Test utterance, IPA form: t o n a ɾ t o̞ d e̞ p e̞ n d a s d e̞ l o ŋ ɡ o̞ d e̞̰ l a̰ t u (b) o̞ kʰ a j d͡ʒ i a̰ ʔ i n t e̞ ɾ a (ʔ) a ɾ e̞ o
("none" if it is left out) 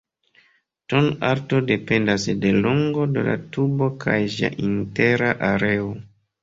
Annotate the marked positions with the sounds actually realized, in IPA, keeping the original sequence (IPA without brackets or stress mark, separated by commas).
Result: b, ʔ